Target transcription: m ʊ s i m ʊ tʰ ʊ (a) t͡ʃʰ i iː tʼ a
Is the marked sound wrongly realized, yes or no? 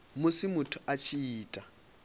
no